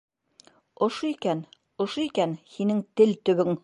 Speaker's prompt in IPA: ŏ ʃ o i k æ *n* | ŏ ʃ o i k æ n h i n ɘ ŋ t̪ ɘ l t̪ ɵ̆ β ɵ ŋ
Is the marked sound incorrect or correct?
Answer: correct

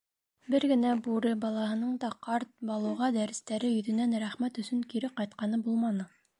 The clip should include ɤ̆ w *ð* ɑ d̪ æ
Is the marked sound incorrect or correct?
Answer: incorrect: ʁ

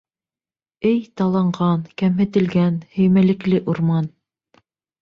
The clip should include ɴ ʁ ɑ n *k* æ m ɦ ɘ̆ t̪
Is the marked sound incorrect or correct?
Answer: correct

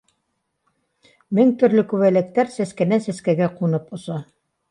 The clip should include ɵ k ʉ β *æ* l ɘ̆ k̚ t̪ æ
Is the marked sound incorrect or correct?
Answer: correct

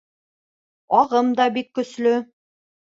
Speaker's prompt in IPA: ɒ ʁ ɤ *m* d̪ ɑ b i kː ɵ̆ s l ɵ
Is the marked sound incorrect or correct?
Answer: correct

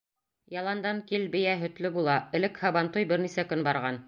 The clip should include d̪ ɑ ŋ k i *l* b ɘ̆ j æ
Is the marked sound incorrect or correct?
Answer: correct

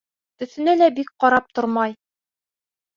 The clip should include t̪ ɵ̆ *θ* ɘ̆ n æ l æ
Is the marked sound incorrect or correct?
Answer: correct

